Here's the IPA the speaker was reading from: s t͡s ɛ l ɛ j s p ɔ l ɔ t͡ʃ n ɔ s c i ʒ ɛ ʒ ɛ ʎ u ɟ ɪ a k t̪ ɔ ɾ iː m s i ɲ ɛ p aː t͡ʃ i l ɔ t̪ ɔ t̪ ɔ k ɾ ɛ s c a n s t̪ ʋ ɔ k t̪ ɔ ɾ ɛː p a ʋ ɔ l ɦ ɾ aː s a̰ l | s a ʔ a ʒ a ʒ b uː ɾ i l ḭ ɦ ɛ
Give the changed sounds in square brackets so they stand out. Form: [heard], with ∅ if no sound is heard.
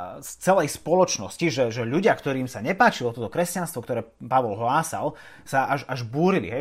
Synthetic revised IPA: s t͡s ɛ l ɛ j s p ɔ l ɔ t͡ʃ n ɔ s c i ʒ ɛ ʒ ɛ ʎ u ɟ ɪ a k t̪ ɔ ɾ iː m s [a] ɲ ɛ p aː t͡ʃ i l ɔ t̪ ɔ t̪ ɔ k ɾ ɛ s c a n s t̪ ʋ ɔ k t̪ ɔ ɾ ɛː p a ʋ ɔ l ɦ [l] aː s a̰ l | s a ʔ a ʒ a ʒ b uː ɾ i l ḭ ɦ ɛ